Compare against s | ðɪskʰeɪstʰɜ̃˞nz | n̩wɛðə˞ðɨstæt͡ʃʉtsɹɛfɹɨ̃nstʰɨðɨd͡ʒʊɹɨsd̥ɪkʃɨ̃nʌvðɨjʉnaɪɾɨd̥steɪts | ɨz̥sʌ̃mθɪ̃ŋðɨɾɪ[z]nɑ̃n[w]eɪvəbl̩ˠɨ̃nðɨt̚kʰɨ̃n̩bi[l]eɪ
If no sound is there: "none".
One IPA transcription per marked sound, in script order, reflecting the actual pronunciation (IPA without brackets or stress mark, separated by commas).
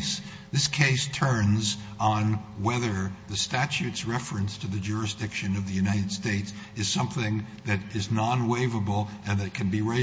z, w, ɹ